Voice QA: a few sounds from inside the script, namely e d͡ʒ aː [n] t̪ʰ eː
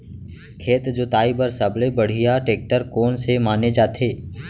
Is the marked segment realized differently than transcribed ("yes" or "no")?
yes